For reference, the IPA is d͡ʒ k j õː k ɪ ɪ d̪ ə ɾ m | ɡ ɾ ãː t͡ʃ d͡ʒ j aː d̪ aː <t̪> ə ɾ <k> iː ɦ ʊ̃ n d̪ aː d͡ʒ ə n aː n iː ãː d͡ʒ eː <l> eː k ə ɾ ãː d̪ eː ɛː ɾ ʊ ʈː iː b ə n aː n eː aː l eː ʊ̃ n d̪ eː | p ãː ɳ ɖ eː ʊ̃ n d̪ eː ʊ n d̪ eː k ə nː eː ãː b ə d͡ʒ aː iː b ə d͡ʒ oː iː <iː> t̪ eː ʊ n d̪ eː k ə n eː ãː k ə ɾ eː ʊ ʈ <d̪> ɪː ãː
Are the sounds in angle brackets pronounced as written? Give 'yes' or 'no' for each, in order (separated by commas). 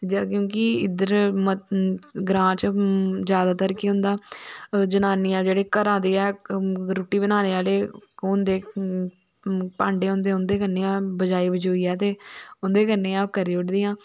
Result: yes, yes, no, no, yes